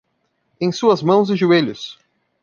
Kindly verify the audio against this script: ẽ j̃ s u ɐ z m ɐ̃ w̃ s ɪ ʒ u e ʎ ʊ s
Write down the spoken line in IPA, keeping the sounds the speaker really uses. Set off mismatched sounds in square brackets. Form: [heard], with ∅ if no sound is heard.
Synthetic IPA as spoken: ẽ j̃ s u ɐ z m ɐ̃ w̃ [z] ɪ ʒ u e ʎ ʊ s